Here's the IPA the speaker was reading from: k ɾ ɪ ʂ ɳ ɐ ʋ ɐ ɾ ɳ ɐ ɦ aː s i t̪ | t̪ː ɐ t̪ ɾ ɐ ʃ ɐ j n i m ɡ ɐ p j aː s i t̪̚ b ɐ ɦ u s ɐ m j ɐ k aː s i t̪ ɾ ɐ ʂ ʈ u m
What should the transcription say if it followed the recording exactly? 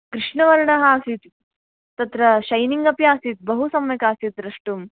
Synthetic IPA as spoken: k ɾ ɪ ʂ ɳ ɐ ʋ ɐ ɾ ɳ ɐ ɦ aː s i t̪ | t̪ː ɐ t̪ ɾ ɐ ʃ ɐ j n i ŋ ɡ ɐ p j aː s i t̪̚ b ɐ ɦ u s ɐ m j ɐ k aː s i t̪ ɾ ɐ ʂ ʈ u m

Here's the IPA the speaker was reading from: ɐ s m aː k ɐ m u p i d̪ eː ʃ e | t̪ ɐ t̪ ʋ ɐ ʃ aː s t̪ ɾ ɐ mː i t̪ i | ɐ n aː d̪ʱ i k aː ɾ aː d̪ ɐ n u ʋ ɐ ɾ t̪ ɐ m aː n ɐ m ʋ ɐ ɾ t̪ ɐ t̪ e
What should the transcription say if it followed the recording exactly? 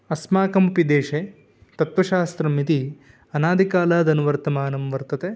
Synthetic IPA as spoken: ɐ s m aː k ɐ m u p i d̪ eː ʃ e | t̪ ɐ t̪ ʋ ɐ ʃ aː s t̪ ɾ ɐ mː i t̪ i | ɐ n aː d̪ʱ i k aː l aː d̪ ɐ n u ʋ ɐ ɾ t̪ ɐ m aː n ɐ m ʋ ɐ ɾ t̪ ɐ t̪ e

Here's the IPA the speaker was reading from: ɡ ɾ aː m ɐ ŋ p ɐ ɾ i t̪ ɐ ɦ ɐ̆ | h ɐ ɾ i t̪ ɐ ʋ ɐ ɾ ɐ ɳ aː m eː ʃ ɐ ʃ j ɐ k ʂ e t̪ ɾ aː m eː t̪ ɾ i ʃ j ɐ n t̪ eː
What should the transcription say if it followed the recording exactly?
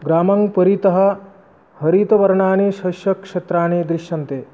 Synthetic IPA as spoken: ɡ ɾ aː m ɐ ŋ p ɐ ɾ i t̪ ɐ ɦ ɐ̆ | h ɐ ɾ i t̪ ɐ ʋ ɐ ɾ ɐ ɳ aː n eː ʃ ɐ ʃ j ɐ k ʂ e t̪ ɾ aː n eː d̪ ɾ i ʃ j ɐ n t̪ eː

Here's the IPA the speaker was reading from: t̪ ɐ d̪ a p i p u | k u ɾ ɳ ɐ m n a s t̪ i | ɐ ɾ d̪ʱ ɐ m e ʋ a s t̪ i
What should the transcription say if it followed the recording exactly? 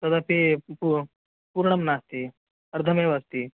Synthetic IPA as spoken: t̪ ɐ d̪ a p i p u | p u ɾ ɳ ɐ m n a s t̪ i | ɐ ɾ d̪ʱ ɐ m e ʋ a s t̪ i

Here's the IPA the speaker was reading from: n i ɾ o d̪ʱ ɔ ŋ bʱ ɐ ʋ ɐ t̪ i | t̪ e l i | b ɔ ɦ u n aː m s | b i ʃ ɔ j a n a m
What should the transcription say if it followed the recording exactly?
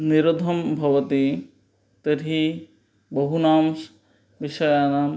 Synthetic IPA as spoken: n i ɾ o d̪ʱ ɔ m bʱ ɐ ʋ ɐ t̪ i | t̪ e ɾ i | b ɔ ɦ u n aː m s | b i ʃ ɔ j a n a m

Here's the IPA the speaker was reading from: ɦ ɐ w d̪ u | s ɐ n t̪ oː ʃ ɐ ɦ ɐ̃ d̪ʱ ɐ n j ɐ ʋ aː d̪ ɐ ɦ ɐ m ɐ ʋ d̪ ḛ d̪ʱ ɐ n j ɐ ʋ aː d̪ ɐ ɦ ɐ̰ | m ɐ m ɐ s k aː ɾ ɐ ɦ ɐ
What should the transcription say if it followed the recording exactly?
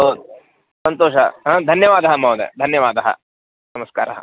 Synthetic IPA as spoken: ɦ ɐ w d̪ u | s ɐ n t̪ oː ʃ ɐ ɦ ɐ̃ d̪ʱ ɐ n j ɐ ʋ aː d̪ ɐ ɦ ɐ m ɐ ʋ d̪ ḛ d̪ʱ ɐ n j ɐ ʋ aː d̪ ɐ ɦ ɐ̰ | n ɐ m ɐ s k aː ɾ ɐ ɦ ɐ

